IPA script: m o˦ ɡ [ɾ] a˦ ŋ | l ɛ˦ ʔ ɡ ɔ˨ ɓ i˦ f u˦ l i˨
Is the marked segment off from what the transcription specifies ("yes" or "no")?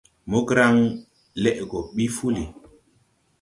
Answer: no